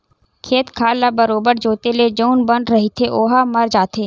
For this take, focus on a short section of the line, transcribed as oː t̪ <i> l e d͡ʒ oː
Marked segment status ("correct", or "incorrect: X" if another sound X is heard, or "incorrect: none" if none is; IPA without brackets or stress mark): incorrect: e